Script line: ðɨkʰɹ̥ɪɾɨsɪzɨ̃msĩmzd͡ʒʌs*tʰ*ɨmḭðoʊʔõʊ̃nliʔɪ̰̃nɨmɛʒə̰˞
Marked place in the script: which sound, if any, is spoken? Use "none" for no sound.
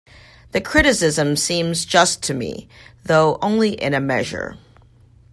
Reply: tʰ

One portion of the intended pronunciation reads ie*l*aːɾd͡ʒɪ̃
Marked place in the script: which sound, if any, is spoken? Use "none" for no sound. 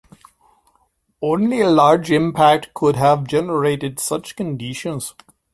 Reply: l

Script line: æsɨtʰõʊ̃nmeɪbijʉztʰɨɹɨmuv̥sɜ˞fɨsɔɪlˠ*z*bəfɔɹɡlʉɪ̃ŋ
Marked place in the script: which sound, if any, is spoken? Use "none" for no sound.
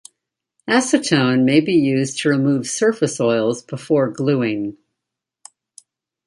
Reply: z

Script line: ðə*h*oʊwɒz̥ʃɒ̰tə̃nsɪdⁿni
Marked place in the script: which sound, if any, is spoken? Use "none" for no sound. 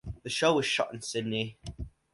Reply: ʃ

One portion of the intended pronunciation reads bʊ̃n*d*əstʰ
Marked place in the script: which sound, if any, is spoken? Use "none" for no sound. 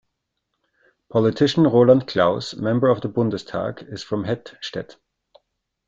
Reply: d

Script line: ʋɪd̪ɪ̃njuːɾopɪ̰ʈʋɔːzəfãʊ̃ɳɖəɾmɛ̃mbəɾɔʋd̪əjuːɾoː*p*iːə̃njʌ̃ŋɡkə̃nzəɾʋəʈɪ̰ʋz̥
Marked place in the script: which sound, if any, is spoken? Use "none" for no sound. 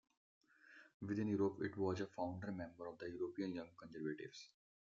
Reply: p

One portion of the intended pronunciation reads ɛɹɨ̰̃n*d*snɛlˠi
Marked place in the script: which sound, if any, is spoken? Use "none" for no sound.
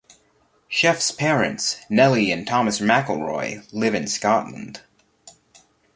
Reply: t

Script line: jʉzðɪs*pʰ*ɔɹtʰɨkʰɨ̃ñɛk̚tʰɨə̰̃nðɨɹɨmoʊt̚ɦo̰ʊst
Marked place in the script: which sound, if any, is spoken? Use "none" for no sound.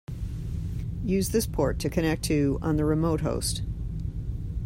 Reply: pʰ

